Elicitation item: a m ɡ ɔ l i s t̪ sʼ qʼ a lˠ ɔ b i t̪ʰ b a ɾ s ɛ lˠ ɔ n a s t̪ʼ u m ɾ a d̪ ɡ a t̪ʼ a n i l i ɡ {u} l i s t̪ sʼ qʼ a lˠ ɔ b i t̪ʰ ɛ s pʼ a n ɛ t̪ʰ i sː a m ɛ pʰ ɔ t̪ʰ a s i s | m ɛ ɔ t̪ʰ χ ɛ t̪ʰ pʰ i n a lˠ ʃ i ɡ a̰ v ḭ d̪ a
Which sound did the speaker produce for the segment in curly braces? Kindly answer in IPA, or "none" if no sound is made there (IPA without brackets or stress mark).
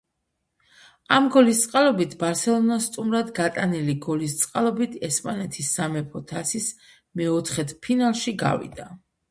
ɔ